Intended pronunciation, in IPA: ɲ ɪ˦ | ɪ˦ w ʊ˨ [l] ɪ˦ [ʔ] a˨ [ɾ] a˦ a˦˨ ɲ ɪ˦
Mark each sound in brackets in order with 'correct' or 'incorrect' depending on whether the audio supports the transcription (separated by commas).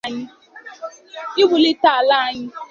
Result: correct, incorrect, incorrect